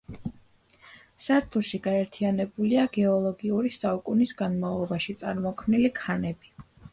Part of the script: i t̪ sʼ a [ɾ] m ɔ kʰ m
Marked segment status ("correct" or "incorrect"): correct